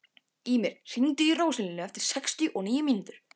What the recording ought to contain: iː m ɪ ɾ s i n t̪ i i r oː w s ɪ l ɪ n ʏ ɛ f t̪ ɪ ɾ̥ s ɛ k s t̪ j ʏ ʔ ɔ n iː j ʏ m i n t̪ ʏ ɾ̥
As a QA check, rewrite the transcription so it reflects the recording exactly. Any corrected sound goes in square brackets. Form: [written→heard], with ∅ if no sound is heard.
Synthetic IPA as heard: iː m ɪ ɾ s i n t̪ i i r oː w s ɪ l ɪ n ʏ ɛ f t̪ ɪ ɾ̥ s ɛ k s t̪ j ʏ ʔ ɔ n iː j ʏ m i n t̪ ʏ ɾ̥